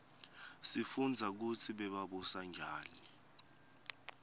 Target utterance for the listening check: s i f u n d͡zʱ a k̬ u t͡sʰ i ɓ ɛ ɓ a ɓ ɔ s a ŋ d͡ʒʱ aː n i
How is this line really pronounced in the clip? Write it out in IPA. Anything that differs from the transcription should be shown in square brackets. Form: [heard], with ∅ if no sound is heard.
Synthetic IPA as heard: s i f u n d͡zʱ a k̬ u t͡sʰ i ɓ ɛ ɓ a ɓ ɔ s a ŋ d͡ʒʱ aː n i